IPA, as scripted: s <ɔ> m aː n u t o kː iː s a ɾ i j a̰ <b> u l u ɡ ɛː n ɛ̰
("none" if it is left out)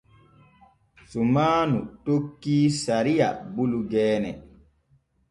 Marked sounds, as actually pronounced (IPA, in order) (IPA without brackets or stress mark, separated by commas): u, b